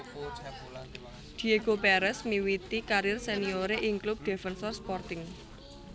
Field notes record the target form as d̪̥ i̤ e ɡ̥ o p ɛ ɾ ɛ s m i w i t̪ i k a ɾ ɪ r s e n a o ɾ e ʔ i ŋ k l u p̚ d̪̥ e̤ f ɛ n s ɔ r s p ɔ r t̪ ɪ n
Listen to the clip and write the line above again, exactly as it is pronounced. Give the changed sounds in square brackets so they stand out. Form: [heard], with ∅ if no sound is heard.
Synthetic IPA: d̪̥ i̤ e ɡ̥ o p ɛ ɾ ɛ s m i w i t̪ i k a ɾ ɪ r s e n [i] o ɾ e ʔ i ŋ k l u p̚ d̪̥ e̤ f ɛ n s ɔ r s p ɔ r t̪ ɪ [ŋ]